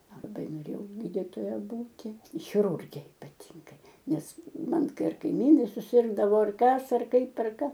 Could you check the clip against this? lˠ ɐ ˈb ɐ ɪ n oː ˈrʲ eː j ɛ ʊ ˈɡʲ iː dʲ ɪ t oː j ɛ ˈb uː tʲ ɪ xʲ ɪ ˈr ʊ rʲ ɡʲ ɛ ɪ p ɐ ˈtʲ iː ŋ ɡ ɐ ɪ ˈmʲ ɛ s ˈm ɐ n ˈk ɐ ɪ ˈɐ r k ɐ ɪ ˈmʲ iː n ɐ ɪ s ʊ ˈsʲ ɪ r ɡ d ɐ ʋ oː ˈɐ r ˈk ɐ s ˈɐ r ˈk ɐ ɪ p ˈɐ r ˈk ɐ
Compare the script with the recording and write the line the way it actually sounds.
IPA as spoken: lˠ ɐ ˈb ɐ ɪ n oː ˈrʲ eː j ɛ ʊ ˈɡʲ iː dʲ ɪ t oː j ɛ ˈb uː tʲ ɪ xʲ ɪ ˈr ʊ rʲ ɡʲ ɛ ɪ p ɐ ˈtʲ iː ŋ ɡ ɐ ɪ ˈnʲ ɛ s ˈm ɐ n ˈk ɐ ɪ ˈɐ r k ɐ ɪ ˈmʲ iː n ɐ ɪ s ʊ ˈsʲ ɪ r ɡ d ɐ ʋ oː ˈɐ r ˈk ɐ s ˈɐ r ˈk ɐ ɪ p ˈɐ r ˈk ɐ